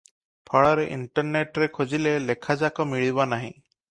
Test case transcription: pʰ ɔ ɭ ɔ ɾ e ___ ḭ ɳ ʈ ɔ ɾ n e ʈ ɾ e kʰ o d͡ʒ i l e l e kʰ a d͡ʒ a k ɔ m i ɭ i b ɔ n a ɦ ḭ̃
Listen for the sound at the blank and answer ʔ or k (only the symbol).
ʔ